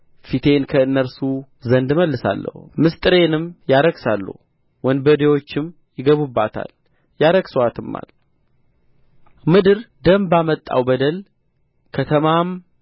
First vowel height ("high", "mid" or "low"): high